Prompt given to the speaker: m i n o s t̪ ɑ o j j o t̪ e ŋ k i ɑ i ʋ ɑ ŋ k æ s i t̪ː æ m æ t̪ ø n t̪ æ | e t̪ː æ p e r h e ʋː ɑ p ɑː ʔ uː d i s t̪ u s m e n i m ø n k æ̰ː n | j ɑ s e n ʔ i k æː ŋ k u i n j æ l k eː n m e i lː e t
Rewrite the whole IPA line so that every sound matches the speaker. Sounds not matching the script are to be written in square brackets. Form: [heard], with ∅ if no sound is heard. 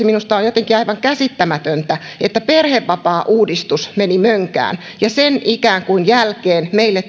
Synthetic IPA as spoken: m i n [u] s t̪ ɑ o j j o t̪ e ŋ k i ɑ i ʋ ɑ ŋ k æ s i t̪ː æ m æ t̪ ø n t̪ æ | e t̪ː æ p e r h e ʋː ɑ p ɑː ʔ uː d i s t̪ u s m e n i m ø [ŋ] k æ̰ː n | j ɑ s e n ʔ i k æː ŋ k u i n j æ l k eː n m e i lː e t